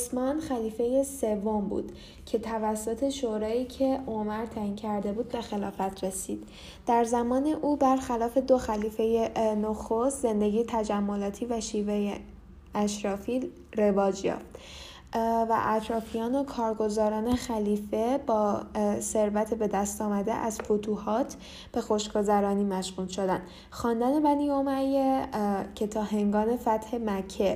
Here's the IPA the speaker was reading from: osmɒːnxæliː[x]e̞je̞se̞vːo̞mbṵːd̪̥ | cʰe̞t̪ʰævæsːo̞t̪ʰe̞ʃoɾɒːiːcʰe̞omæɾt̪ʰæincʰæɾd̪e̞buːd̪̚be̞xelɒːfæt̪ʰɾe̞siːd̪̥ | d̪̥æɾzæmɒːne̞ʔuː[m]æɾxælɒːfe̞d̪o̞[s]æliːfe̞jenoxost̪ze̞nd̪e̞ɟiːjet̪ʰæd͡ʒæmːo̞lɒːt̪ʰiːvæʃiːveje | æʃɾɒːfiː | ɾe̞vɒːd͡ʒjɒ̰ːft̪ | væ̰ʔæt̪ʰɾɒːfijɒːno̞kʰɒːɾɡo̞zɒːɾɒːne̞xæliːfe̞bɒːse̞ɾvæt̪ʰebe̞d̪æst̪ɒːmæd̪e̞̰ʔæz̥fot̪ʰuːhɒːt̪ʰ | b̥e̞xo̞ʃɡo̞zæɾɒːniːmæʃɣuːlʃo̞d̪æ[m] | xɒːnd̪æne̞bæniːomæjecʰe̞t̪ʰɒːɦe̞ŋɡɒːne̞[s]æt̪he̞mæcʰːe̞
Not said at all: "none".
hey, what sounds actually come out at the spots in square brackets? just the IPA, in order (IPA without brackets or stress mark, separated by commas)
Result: f, b, x, n, f